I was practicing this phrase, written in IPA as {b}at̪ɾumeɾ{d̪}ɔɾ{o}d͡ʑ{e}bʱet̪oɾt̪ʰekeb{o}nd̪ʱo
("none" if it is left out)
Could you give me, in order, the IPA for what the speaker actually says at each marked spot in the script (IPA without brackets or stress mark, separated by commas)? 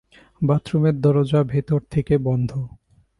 b, d̪, o, a, ɔ